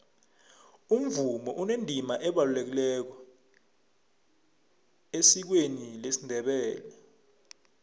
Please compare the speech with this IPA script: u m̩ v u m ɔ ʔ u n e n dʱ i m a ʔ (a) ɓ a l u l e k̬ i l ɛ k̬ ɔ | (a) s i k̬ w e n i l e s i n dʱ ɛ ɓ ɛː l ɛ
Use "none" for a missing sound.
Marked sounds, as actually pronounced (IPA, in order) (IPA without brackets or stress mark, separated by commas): ɛ, e